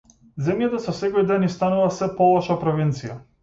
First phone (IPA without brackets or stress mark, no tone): z